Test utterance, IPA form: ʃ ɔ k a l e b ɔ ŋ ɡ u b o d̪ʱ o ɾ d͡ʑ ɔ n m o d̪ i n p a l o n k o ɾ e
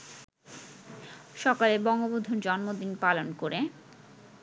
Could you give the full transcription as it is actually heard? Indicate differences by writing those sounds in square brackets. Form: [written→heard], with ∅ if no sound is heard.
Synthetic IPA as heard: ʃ ɔ k a l e b ɔ ŋ ɡ [u→o] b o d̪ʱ o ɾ d͡ʑ ɔ n m o d̪ i n p a l o n k o ɾ e